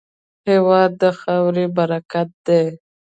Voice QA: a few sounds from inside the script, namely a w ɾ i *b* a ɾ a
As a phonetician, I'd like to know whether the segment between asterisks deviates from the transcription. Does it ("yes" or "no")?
no